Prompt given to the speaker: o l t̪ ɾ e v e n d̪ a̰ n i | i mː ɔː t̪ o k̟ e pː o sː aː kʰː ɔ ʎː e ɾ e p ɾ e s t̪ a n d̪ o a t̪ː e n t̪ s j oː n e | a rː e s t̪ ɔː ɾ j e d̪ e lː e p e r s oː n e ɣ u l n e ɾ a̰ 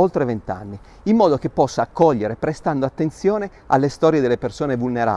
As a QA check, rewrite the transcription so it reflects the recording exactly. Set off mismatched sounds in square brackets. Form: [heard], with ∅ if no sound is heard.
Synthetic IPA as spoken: o l t̪ ɾ e v e n [t̪] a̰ [nː] i | i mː ɔː [d̪] o k̟ e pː [ɔ] sː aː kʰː ɔ ʎː e ɾ e p ɾ e s t̪ a n d̪ o a t̪ː e n t̪ s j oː n e | a [lː] e s t̪ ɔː ɾ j e d̪ e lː e p e r s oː n e [v] u l n e ɾ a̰